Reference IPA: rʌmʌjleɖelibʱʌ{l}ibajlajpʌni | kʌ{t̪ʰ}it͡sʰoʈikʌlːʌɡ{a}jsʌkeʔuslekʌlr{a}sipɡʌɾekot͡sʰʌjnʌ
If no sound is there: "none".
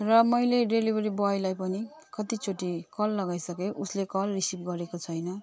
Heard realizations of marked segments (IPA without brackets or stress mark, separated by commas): ɾ, t̪, a, i